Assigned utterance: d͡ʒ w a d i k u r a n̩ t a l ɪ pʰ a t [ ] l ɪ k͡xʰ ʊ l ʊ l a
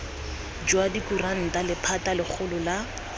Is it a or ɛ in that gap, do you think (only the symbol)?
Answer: a